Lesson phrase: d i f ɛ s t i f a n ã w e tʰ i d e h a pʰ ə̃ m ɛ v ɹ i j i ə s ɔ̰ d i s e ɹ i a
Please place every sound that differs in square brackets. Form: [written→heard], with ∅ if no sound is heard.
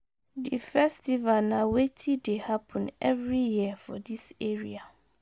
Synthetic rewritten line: d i f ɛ s t i [f→v] a n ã w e tʰ i d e h a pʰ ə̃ [m→n] ɛ v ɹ i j i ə [s→f] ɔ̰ d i s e ɹ i a